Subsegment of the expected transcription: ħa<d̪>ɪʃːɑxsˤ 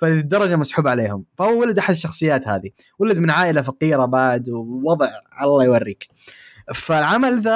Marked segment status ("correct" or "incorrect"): correct